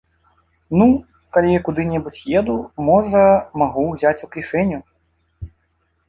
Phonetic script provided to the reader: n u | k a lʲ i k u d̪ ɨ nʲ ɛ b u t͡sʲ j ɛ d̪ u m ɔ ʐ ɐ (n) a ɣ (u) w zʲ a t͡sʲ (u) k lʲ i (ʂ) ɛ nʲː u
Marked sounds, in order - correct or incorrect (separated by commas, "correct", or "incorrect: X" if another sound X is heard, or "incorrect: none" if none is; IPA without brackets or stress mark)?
incorrect: m, correct, correct, correct